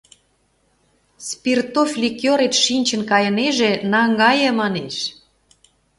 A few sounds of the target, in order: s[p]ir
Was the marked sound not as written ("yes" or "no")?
no